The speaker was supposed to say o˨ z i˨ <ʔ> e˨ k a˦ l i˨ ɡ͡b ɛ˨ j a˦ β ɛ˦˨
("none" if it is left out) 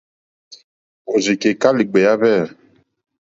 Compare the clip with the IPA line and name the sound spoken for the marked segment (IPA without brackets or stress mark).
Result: k